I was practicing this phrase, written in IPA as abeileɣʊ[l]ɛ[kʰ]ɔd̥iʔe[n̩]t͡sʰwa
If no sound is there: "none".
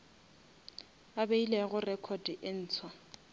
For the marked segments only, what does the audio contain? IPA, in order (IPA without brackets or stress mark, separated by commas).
r, kʰ, n̩ː